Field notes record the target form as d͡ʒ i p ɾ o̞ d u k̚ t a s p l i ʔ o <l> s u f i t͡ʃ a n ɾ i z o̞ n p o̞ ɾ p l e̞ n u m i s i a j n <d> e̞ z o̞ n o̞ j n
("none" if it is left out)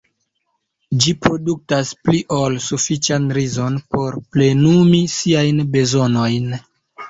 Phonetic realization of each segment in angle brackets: l, b

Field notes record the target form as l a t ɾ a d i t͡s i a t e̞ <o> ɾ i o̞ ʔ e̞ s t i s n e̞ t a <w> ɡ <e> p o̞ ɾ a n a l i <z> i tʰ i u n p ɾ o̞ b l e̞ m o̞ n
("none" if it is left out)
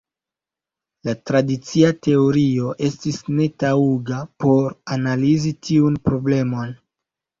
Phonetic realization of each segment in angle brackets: o, u, a, z

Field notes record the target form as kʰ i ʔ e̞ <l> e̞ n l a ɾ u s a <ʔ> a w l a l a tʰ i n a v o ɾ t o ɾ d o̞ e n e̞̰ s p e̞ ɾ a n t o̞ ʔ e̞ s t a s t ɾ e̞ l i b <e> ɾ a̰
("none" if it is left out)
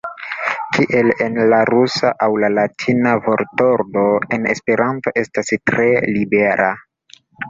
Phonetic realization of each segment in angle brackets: l, ʔ, e

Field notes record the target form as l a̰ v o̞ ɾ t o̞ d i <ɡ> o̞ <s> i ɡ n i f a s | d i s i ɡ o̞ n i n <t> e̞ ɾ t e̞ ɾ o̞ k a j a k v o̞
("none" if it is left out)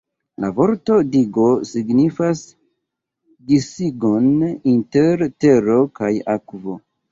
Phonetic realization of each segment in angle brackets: ɡ, s, t

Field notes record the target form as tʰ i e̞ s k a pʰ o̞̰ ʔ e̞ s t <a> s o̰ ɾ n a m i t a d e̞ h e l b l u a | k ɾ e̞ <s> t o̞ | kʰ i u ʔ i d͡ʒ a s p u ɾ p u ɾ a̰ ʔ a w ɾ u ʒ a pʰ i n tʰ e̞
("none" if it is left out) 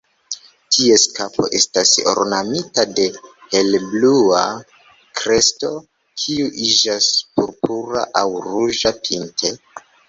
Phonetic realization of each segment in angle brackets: a, s

